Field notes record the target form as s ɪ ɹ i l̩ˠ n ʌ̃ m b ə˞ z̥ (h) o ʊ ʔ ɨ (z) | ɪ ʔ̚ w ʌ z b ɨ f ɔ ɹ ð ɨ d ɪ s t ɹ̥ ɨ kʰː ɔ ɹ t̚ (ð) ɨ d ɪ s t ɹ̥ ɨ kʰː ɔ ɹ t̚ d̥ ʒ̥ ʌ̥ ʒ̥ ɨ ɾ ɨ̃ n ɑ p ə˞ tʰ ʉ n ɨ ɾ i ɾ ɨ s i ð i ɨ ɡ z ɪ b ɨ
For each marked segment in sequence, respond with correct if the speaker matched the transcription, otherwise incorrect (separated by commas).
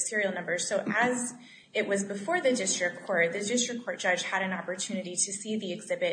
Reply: incorrect, correct, correct